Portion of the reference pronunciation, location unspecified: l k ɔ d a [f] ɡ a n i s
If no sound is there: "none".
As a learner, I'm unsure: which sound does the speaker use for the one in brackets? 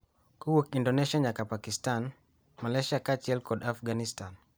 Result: f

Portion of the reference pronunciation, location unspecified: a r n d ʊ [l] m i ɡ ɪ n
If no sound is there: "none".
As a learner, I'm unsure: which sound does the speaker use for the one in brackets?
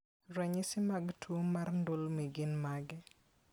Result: l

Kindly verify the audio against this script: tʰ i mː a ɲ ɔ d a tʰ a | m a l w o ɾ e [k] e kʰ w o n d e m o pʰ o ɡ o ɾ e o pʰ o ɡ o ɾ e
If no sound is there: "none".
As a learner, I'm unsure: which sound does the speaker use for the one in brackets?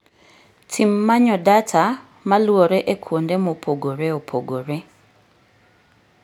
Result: ʔ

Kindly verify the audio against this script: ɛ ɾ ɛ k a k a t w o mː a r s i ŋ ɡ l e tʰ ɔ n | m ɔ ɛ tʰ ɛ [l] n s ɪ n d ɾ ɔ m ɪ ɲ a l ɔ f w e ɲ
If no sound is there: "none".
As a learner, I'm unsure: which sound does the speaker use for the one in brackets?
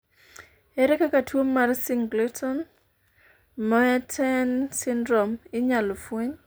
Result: none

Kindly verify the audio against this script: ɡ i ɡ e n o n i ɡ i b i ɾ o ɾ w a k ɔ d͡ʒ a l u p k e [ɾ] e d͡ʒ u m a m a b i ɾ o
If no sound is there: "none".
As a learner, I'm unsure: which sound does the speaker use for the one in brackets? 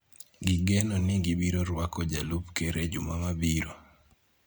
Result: ɾ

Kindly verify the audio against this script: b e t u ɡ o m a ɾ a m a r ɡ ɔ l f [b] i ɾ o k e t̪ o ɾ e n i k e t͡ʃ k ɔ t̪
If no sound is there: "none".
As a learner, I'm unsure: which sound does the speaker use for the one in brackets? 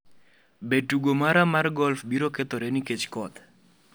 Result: b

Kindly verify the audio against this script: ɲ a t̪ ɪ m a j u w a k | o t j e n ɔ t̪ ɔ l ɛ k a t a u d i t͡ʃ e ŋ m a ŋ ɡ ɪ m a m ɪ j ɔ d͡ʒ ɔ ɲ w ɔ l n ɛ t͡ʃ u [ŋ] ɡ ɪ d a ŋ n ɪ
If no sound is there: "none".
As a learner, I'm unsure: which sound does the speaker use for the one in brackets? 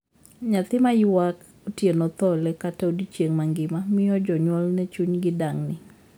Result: ɲ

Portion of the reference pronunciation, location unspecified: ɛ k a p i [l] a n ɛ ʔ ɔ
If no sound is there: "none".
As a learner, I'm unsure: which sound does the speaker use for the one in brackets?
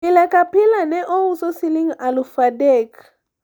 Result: l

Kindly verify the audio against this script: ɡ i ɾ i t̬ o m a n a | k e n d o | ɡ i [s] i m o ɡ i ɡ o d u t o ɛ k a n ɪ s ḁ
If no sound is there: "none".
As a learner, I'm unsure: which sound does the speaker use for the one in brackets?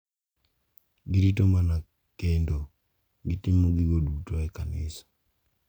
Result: t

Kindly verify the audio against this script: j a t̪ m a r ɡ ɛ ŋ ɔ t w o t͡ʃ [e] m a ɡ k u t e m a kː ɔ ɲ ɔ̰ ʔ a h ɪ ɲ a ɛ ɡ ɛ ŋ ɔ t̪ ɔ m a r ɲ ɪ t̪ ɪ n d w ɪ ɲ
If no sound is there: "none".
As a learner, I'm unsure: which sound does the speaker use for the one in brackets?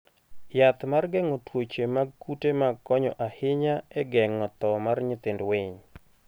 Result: e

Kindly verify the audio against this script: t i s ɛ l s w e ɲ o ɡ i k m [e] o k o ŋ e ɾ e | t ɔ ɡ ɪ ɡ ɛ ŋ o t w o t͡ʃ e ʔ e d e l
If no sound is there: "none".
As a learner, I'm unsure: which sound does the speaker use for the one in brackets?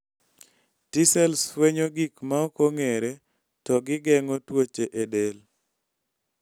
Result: a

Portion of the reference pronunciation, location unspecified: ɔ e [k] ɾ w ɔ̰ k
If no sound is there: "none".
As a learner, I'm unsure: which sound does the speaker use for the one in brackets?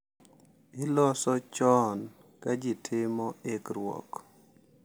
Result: k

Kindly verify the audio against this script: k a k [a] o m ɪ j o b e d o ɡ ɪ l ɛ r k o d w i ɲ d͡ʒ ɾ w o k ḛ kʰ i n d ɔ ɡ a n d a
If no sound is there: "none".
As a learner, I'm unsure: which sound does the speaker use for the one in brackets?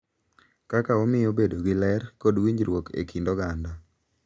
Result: a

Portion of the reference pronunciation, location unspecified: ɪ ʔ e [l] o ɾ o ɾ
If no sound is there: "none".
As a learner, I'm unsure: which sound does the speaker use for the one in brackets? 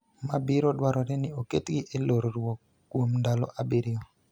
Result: l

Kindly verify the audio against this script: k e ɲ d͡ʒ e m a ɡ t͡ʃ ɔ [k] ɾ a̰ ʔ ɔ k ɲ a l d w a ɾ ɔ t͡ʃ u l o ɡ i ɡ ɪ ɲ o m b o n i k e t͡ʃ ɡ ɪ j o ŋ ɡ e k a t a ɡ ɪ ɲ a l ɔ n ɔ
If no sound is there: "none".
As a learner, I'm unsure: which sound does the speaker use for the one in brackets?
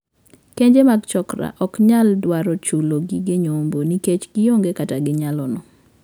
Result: k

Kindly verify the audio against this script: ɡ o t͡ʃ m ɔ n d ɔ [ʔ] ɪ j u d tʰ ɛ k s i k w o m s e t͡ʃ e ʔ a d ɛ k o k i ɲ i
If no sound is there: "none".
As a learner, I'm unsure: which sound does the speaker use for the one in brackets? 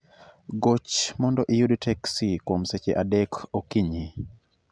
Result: ʔ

